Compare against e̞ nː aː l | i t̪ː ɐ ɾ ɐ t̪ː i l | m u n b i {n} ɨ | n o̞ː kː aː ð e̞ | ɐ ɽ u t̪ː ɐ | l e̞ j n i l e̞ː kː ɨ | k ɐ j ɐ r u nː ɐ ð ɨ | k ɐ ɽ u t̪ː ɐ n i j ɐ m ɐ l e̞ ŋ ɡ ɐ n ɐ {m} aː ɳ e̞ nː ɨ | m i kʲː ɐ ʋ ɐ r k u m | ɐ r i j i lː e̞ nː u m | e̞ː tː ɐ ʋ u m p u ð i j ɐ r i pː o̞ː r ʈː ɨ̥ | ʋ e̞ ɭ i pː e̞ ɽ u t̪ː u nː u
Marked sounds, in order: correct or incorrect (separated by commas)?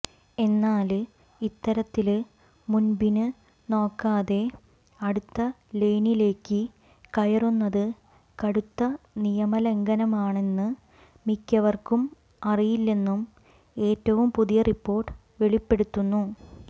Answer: correct, correct